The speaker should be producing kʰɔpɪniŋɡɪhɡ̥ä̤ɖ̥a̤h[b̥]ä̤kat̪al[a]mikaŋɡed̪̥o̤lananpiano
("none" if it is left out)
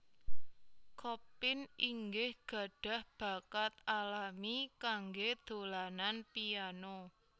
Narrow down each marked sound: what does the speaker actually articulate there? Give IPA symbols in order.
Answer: b̥, a

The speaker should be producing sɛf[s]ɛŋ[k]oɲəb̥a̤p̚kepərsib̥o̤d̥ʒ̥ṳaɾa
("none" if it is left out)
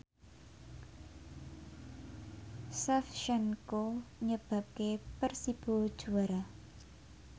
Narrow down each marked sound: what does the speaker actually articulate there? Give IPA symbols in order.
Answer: ʃ, k

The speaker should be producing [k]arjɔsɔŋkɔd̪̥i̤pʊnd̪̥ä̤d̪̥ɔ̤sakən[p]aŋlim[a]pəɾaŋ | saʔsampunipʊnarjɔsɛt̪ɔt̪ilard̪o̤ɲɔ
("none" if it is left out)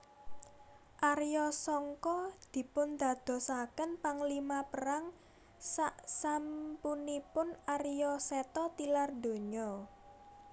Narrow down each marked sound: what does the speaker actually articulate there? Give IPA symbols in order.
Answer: ʔ, p, a

